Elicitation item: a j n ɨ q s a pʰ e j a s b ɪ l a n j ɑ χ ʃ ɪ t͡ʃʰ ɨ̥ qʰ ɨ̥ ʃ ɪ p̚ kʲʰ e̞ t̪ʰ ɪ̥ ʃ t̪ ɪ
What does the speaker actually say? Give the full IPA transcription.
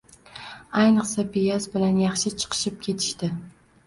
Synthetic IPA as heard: a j n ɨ q s a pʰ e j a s b ɪ l a n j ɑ χ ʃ ɪ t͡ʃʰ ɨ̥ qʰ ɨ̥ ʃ ɪ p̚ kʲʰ e̞ t̪ʰ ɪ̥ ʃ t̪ ɪ